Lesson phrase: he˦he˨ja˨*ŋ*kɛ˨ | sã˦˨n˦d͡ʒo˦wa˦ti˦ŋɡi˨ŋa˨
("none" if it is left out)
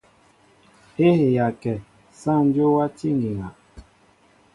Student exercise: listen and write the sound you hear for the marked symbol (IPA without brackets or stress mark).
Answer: none